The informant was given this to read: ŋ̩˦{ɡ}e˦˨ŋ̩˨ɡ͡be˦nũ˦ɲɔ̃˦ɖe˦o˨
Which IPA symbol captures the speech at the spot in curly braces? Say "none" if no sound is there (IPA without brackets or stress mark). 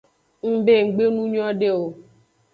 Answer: b